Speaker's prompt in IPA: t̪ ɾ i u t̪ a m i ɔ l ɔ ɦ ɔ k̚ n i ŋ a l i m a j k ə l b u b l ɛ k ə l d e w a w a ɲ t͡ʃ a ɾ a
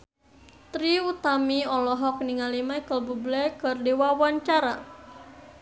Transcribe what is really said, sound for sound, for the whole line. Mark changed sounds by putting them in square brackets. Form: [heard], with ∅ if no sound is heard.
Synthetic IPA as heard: t̪ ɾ i u t̪ a m i ɔ l ɔ ɦ ɔ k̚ n i ŋ a l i m a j k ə l b u b l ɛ k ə [r] d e w a w a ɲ t͡ʃ a ɾ a

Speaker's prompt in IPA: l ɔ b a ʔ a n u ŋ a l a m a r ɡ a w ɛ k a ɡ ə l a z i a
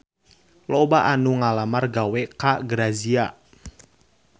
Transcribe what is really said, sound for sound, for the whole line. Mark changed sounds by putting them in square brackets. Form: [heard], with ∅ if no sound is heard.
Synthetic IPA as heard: l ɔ b a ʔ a n u ŋ a l a m a r ɡ a w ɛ k a ɡ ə [ɾ] a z i a

